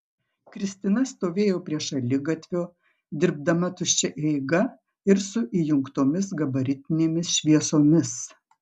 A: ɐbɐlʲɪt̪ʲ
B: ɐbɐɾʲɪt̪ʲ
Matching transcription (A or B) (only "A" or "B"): B